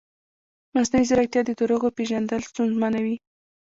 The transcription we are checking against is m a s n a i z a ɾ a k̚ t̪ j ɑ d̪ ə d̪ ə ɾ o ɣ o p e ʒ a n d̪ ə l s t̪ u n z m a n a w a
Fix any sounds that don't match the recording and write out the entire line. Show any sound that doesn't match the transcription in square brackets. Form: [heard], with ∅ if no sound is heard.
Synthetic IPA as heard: m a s n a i z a ɾ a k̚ t̪ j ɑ d̪ ə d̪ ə ɾ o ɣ o p e ʒ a n d̪ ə l s t̪ u n z m a n a w [i]